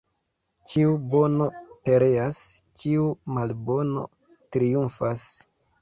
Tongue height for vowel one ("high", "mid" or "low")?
high